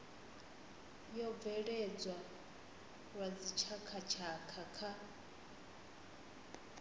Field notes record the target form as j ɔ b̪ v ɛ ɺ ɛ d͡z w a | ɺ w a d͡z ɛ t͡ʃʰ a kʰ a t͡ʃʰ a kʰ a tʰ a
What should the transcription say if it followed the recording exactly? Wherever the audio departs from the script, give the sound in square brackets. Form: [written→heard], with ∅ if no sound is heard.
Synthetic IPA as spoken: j ɔ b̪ v ɛ ɺ ɛ d͡z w a | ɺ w a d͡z [ɛ→i] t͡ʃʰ a kʰ a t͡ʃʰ a kʰ a [tʰ→kʰ] a